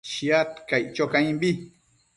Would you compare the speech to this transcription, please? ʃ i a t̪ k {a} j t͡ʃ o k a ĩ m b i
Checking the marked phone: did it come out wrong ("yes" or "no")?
no